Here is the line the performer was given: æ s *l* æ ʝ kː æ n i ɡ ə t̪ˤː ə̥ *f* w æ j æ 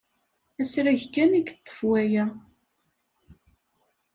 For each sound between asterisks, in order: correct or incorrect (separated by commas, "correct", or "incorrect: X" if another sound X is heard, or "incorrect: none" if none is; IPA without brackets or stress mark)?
incorrect: ɾ, correct